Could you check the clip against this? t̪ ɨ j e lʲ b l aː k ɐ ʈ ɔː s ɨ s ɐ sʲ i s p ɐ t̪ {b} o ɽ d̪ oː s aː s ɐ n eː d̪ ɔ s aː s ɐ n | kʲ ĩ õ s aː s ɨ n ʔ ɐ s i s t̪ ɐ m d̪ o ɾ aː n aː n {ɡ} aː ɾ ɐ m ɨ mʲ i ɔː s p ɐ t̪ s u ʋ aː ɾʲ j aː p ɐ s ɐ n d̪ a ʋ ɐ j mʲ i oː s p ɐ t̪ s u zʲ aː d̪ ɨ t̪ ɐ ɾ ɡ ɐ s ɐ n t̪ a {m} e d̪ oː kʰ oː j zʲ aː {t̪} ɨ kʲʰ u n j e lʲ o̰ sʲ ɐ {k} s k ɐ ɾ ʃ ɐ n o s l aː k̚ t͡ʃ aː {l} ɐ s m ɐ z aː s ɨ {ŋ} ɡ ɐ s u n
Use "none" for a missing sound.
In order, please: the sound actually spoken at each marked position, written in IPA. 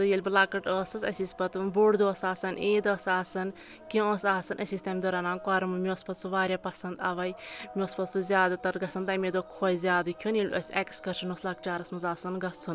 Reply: b, k, m, d̪, k, ɾ, n

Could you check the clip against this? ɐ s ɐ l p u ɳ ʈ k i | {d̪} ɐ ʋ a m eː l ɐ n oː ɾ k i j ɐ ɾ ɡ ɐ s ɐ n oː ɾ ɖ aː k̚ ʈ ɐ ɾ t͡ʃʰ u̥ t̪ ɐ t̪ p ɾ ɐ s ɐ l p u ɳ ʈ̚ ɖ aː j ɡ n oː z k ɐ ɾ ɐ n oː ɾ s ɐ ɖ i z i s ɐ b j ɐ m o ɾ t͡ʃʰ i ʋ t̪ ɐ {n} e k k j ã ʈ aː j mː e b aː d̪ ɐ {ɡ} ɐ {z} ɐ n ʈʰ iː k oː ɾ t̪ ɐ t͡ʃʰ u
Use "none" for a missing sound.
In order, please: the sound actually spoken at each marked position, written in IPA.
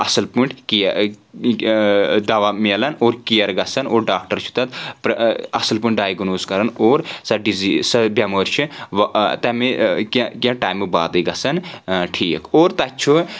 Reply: d̪, m, ɡ, s

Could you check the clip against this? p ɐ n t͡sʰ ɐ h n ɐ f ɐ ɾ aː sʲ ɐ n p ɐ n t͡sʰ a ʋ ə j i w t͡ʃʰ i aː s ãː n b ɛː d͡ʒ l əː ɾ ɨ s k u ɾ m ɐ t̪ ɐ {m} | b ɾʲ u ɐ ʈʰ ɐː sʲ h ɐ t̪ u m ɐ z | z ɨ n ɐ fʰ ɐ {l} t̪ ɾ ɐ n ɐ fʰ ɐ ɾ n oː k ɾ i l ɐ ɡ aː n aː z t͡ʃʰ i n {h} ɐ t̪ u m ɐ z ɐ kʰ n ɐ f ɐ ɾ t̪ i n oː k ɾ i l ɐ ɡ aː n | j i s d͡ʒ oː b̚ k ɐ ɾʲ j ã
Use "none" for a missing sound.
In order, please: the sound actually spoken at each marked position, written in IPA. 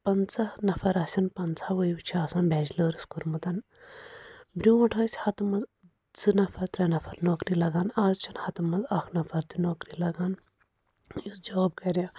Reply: n, ɾ, h

